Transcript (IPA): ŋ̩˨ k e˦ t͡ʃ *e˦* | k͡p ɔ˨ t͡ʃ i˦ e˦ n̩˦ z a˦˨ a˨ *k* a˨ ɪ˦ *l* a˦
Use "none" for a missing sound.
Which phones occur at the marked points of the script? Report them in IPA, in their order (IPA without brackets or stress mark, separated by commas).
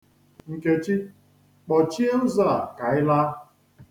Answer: i˦, k, l